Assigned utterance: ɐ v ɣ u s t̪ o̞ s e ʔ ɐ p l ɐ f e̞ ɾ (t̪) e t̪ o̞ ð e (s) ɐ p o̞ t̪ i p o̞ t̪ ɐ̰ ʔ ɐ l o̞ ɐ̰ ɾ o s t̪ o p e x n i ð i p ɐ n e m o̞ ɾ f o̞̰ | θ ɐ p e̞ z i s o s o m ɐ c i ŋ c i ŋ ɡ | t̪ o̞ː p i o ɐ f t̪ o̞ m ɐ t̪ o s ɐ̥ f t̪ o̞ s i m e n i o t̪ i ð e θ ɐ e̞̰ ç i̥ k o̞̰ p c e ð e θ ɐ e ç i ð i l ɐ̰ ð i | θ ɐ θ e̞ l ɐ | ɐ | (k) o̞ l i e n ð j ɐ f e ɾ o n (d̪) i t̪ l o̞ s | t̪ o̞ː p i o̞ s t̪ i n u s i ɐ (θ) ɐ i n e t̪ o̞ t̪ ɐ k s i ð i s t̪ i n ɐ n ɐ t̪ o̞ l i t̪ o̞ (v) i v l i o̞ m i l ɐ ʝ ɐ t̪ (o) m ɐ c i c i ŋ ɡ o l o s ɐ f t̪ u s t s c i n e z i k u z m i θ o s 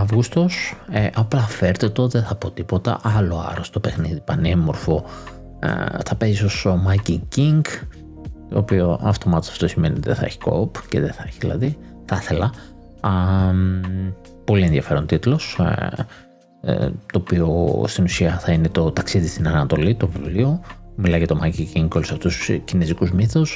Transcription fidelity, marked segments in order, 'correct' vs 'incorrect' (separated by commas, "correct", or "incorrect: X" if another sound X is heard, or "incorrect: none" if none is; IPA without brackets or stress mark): correct, incorrect: θ, incorrect: p, incorrect: t̪, correct, correct, correct